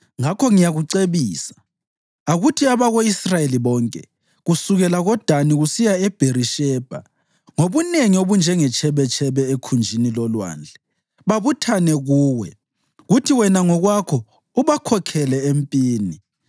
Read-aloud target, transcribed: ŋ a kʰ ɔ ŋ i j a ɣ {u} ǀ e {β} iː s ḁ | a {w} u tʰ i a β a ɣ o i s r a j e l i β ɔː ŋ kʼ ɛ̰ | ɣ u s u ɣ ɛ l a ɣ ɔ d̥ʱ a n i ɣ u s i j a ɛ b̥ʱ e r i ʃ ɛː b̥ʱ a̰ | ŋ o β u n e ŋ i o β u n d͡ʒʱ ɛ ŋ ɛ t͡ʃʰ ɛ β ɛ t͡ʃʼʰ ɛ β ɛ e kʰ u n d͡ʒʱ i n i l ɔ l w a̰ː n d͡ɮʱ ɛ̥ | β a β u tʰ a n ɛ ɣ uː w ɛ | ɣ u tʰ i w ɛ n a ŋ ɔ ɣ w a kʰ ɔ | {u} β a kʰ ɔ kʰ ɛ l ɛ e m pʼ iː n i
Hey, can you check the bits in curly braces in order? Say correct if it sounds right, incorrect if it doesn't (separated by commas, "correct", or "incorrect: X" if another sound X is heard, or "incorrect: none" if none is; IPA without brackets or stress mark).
correct, correct, incorrect: ɣ, correct